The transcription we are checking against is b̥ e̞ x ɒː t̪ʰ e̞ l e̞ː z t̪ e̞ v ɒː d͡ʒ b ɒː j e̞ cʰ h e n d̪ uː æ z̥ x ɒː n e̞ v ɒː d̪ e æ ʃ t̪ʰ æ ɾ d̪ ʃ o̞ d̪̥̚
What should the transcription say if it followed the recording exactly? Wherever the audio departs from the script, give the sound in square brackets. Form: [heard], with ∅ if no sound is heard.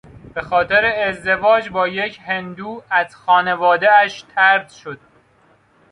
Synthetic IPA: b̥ e̞ x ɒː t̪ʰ e̞ [ɾ] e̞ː z [d̪] e̞ v ɒː d͡ʒ b ɒː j e̞ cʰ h e n d̪ uː æ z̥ x ɒː n e̞ v ɒː d̪ e æ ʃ t̪ʰ æ ɾ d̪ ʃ o̞ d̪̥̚